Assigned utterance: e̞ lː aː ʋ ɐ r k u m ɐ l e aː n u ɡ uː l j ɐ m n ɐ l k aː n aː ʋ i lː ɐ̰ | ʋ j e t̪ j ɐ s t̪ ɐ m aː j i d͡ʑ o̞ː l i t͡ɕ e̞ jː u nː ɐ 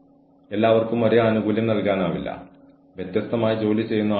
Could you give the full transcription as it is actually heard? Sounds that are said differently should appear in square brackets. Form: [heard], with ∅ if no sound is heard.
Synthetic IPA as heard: e̞ lː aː ʋ ɐ r k u m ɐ [ɾ] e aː n u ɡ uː l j ɐ m n ɐ l k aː n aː ʋ i lː ɐ̰ | ʋ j e t̪ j ɐ s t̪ ɐ m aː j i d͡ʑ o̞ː l i t͡ɕ e̞ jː u nː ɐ